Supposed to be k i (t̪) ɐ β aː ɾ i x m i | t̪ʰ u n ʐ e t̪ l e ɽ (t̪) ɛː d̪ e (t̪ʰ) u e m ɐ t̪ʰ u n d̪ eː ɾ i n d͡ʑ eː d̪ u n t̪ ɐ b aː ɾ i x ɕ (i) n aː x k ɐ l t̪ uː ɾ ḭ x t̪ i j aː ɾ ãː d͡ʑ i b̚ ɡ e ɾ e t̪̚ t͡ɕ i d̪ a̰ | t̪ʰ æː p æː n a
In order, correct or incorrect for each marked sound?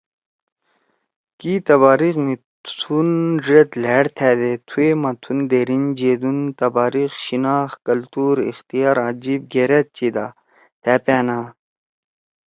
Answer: correct, incorrect: t̪ʰ, correct, correct

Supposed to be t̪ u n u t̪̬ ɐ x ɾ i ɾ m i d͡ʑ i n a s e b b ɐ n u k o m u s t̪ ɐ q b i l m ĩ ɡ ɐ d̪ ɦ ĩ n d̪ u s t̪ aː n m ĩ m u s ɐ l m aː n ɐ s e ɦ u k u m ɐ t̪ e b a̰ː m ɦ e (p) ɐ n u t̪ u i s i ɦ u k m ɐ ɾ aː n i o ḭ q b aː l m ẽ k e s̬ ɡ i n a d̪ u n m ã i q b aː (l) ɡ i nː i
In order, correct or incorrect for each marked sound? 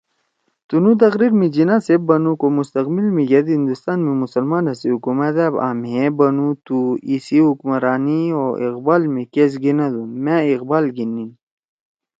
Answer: incorrect: b, correct

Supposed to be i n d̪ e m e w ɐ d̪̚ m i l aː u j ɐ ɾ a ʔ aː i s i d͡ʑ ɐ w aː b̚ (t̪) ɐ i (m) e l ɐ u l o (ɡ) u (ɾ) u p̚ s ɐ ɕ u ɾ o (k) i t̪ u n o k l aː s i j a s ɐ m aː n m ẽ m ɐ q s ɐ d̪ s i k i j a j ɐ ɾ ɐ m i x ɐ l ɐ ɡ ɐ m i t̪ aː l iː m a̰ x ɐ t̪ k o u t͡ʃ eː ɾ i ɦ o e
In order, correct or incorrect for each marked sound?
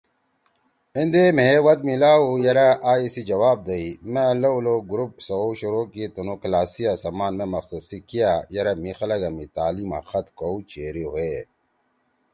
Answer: incorrect: d̪, correct, correct, correct, correct

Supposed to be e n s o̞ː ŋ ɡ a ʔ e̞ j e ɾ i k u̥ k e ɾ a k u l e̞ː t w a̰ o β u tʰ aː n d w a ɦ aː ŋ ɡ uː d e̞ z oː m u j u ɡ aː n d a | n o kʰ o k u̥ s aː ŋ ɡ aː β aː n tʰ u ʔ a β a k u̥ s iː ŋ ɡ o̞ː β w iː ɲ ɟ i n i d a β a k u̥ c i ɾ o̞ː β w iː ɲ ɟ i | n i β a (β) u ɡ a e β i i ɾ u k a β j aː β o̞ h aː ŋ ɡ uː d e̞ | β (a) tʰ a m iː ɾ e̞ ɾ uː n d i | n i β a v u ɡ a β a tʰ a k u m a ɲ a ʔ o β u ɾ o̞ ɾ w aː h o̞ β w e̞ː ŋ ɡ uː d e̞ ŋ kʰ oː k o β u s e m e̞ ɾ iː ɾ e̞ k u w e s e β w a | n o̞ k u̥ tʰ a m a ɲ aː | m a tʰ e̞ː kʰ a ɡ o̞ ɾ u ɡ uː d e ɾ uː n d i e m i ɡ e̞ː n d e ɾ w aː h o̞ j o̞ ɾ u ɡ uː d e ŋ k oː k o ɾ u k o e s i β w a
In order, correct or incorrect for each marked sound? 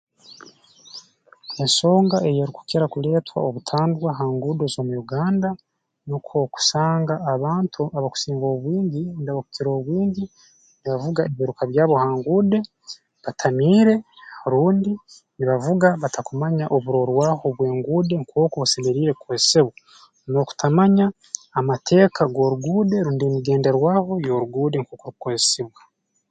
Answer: incorrect: v, correct

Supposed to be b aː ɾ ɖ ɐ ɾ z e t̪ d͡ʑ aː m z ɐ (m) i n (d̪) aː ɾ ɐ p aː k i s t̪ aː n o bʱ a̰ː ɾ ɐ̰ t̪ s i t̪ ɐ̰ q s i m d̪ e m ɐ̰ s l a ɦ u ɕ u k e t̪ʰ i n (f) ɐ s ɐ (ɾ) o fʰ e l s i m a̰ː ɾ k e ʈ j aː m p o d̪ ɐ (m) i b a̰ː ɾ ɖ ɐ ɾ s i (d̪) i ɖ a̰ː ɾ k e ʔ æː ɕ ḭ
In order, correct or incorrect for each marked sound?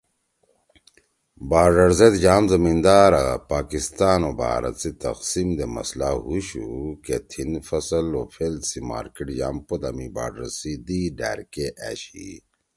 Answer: correct, correct, correct, incorrect: l, correct, correct

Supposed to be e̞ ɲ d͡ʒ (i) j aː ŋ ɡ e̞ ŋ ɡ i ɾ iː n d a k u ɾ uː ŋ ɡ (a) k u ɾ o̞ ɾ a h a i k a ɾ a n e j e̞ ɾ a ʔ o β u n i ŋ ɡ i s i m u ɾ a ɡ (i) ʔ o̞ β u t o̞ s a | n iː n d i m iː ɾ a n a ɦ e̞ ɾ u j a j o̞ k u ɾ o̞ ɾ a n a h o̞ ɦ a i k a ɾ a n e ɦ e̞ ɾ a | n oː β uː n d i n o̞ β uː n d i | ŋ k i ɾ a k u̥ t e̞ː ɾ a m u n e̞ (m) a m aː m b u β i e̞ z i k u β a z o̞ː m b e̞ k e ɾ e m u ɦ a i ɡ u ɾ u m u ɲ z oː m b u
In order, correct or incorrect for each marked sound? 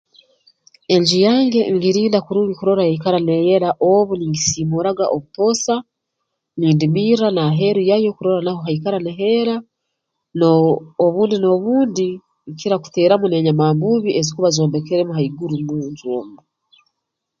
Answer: correct, incorrect: i, incorrect: a, incorrect: ɲ

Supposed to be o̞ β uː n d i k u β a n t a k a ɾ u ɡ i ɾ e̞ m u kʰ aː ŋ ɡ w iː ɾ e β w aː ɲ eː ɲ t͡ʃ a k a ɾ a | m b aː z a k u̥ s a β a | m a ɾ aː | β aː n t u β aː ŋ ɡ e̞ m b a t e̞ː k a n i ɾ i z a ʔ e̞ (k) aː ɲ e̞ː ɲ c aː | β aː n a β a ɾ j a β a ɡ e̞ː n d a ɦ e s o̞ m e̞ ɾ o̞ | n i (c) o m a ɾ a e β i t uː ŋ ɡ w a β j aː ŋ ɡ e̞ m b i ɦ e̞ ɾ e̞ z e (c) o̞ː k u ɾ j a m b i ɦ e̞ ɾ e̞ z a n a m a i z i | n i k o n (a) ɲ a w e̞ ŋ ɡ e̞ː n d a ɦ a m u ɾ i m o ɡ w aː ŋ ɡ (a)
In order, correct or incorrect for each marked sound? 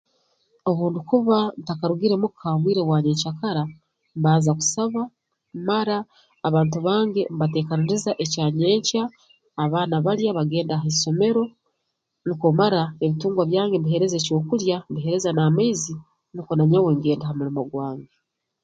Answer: incorrect: c, incorrect: k, correct, correct, incorrect: e

